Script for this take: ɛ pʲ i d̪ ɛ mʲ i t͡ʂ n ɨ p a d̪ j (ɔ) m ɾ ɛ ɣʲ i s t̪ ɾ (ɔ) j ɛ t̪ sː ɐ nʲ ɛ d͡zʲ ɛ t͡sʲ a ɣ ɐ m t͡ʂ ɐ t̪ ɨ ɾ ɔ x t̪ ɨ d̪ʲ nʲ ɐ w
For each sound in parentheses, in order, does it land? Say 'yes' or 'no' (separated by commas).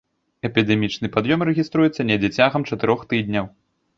yes, no